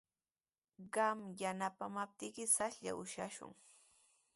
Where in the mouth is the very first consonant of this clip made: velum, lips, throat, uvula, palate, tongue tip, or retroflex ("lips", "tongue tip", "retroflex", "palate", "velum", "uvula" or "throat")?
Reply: uvula